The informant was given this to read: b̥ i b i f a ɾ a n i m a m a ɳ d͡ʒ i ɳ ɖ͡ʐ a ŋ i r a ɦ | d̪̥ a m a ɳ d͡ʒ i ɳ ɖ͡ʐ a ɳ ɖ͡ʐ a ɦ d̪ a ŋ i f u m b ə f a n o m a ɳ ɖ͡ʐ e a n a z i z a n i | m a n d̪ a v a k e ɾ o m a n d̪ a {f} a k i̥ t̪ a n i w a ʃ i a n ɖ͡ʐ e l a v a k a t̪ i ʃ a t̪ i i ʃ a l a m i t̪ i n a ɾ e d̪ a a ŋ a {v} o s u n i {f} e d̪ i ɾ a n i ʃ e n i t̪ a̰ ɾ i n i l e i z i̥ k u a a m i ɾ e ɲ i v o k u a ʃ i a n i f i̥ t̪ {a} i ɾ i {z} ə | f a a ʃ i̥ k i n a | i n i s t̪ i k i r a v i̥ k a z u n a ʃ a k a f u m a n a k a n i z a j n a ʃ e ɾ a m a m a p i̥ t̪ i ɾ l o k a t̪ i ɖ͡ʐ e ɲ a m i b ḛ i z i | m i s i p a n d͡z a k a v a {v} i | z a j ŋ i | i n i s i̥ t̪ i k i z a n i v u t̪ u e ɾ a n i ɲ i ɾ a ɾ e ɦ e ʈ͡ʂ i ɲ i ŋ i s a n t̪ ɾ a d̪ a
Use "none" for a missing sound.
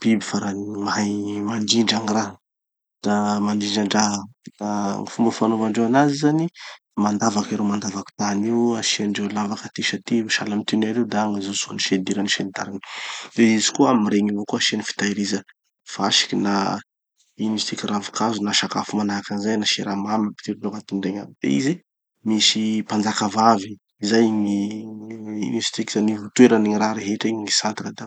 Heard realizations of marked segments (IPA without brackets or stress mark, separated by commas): v, z, ʃ, a, z, v